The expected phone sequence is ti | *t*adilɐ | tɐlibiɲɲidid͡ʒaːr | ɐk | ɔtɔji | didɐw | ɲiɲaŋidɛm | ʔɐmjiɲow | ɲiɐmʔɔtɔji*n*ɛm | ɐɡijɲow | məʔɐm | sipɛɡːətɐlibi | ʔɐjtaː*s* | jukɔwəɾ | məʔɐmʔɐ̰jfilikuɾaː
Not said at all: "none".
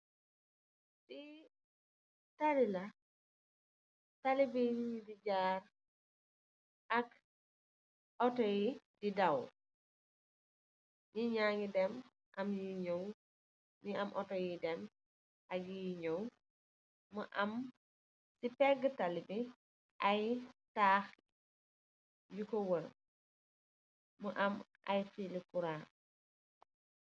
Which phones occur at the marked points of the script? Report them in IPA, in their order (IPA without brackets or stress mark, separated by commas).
t, d, x